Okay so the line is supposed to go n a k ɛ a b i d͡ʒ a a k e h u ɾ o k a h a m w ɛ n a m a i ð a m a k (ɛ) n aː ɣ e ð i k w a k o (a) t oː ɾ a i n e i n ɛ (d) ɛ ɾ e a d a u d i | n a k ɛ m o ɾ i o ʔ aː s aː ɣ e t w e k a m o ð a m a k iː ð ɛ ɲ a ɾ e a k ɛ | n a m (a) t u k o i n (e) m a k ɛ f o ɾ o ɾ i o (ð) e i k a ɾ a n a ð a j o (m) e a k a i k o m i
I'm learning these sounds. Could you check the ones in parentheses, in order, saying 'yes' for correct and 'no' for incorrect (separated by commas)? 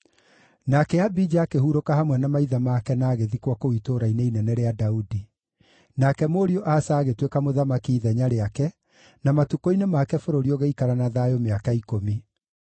yes, no, no, yes, yes, no, yes